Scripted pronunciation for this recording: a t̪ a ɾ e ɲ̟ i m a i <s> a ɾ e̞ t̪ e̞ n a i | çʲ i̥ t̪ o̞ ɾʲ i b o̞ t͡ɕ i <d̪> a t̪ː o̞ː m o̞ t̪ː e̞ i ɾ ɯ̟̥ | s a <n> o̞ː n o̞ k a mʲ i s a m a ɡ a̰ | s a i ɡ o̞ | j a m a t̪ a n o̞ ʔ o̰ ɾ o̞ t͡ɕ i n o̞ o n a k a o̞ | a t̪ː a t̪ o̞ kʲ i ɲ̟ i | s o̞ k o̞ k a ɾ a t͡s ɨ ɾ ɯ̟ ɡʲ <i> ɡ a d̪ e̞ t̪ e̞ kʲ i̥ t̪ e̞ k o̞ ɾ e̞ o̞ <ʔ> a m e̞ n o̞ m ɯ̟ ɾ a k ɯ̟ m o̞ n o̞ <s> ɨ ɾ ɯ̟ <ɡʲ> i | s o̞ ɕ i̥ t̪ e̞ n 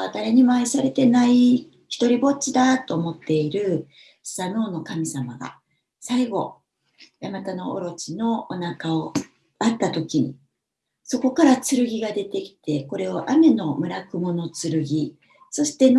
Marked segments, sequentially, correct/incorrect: correct, correct, correct, correct, correct, incorrect: t͡s, correct

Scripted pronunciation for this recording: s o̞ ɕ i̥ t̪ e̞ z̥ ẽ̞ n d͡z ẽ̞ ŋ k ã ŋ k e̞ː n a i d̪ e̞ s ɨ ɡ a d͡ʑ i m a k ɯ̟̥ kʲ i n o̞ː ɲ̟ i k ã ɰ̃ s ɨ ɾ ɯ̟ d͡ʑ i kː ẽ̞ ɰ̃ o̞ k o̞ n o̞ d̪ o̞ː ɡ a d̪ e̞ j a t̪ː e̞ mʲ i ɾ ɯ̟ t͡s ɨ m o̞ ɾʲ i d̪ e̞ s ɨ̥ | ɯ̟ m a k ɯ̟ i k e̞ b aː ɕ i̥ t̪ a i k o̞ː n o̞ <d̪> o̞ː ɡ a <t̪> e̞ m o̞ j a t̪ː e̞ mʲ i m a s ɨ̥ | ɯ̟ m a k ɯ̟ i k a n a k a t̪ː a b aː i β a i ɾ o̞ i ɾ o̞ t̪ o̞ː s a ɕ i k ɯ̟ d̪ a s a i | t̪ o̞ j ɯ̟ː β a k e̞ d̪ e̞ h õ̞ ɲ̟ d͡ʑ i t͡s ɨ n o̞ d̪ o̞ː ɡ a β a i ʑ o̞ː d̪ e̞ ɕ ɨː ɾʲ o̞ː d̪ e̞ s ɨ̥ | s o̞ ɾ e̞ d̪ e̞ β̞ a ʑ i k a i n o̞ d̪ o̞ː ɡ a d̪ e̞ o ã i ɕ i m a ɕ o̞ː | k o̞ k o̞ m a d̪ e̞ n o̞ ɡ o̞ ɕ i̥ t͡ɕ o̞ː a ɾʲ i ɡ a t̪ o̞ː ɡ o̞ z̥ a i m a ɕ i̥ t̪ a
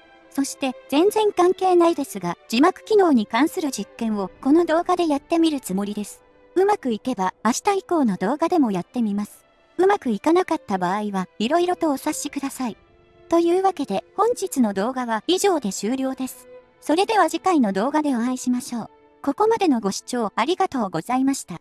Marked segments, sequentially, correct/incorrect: correct, incorrect: d̪

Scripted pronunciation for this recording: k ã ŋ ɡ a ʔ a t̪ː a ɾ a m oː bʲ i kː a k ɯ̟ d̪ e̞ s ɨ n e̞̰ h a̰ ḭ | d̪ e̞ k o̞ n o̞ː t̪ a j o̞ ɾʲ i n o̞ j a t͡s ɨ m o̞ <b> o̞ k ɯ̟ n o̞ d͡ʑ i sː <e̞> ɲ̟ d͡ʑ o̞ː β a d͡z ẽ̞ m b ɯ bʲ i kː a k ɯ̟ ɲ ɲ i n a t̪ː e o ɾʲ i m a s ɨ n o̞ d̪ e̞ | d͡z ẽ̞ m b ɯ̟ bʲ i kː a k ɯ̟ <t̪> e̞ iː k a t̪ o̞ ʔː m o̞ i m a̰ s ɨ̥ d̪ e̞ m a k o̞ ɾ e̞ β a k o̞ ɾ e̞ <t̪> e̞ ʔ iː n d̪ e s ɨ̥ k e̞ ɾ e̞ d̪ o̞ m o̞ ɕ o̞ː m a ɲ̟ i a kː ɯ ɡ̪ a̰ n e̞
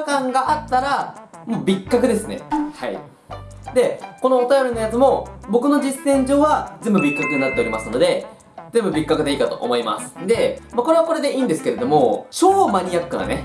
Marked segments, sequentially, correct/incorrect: correct, incorrect: ẽ̞, incorrect: d̪, incorrect: d̪

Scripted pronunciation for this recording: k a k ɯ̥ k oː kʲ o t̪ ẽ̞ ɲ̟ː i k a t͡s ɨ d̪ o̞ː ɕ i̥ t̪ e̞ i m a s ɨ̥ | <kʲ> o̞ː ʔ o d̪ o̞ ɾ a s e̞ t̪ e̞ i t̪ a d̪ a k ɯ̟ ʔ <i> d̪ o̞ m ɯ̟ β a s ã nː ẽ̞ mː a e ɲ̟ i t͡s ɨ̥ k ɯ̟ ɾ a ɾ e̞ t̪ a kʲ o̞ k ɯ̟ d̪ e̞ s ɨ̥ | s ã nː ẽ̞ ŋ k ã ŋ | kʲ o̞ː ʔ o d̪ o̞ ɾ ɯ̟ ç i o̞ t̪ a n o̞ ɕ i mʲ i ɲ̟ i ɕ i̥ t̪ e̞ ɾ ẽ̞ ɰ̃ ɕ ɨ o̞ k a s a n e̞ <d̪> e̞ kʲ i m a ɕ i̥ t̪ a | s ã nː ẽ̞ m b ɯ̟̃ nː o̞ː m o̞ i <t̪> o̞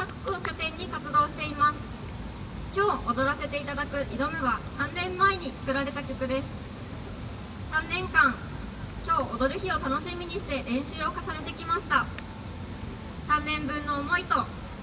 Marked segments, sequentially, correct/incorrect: correct, correct, incorrect: t̪, correct

